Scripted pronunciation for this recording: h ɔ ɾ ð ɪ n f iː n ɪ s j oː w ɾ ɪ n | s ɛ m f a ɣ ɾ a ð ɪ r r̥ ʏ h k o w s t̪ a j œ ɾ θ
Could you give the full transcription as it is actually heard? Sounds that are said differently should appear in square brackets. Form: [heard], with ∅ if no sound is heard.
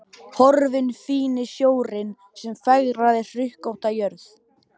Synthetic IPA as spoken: h ɔ ɾ [v] ɪ n f iː n ɪ s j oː w ɾ ɪ n | s ɛ m f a ɣ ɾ a ð ɪ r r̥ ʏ h k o w [h] t̪ a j œ ɾ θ